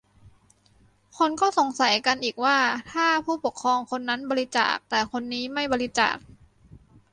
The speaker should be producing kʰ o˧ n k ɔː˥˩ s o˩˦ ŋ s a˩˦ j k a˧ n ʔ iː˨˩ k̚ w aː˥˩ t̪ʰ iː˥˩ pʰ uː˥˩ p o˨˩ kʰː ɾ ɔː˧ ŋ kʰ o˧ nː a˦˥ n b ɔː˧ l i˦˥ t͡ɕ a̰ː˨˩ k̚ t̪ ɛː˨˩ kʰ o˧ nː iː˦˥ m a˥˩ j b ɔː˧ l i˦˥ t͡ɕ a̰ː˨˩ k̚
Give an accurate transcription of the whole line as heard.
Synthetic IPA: kʰ o˧ n k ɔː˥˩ s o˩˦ ŋ s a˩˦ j k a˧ n ʔ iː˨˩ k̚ w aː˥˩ t̪ʰ aː˥˩ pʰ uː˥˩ p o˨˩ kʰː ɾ ɔː˧ ŋ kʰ o˧ nː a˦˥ n b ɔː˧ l i˦˥ t͡ɕ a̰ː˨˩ k̚ t̪ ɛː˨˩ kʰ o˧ nː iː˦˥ m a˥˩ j b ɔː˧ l i˦˥ t͡ɕ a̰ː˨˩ k̚